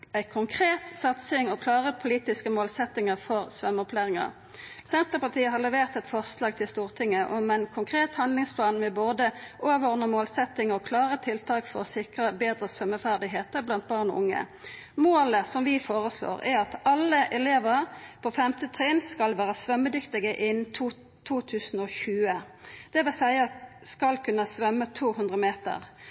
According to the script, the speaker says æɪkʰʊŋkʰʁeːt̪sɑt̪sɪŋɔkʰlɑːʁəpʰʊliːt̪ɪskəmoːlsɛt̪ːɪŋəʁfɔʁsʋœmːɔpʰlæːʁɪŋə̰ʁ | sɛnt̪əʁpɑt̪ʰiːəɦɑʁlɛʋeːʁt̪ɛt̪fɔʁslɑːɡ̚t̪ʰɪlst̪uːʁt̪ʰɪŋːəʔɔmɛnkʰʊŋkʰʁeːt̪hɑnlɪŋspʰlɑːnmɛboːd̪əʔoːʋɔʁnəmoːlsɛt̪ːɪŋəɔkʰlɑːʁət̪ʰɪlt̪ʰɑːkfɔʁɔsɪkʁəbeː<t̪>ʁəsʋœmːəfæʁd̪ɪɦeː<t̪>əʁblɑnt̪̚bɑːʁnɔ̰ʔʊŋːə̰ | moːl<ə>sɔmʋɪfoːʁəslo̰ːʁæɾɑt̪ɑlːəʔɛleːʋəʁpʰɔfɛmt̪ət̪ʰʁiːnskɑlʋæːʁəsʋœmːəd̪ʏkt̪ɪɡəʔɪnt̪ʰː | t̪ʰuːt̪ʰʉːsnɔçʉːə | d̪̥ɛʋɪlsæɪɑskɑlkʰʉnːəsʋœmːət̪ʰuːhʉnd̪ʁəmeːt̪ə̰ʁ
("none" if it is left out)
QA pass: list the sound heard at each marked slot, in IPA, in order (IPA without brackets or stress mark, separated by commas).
d̪, t̪, ə